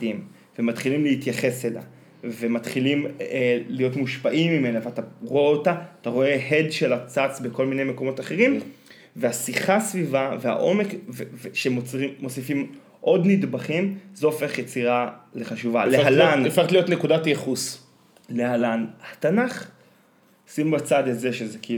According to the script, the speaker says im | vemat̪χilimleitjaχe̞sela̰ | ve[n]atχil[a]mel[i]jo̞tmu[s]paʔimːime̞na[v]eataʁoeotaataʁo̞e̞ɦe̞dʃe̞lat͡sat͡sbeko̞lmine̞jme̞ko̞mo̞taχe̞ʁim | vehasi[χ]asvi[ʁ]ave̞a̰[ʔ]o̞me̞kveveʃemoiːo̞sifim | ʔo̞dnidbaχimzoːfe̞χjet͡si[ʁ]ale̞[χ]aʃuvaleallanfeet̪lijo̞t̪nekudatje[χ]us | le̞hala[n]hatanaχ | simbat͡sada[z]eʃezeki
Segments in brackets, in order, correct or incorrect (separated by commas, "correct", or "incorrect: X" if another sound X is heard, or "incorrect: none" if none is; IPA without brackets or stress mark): incorrect: m, incorrect: i, correct, incorrect: ʃ, correct, correct, incorrect: v, correct, correct, correct, correct, correct, correct